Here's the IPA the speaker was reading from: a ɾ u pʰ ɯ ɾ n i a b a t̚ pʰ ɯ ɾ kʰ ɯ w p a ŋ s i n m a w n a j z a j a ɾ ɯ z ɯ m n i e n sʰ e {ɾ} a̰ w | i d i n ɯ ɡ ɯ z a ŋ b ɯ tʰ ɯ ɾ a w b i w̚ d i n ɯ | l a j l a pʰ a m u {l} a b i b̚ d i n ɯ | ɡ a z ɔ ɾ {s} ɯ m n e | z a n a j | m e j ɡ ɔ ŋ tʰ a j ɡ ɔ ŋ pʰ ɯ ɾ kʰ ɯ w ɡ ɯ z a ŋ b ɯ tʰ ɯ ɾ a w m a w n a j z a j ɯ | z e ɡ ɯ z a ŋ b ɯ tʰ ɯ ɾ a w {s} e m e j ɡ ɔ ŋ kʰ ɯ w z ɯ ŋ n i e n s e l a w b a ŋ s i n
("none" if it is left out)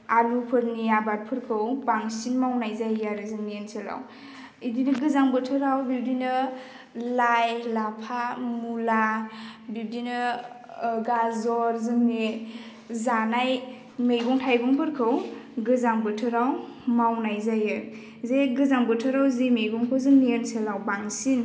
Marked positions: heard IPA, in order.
l, l, z, z

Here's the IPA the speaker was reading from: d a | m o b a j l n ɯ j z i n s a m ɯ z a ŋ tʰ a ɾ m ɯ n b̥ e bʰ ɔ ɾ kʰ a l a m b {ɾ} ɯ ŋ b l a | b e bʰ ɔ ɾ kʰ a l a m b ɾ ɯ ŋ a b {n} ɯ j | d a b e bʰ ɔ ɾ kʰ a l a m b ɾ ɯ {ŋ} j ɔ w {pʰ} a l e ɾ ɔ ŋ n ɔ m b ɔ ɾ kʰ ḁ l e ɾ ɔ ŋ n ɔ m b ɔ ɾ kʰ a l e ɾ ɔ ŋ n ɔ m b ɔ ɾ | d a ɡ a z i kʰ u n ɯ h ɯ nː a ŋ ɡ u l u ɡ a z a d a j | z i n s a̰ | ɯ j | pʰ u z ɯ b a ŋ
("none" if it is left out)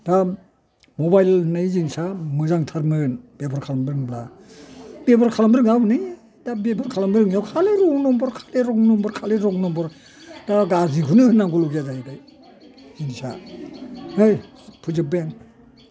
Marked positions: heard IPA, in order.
ɾ, n, ŋ, kʰ

